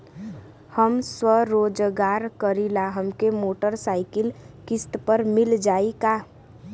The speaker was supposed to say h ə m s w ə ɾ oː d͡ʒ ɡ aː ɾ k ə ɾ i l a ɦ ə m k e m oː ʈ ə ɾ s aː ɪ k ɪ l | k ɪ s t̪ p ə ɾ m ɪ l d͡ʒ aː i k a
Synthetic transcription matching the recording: h ə m s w ə ɾ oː d͡ʒ ɡ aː ɾ k ə ɾ i l a ɦ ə m k e m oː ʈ ə ɾ s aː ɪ k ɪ l | k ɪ s t̪ p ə ɾ m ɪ l d͡ʒ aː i k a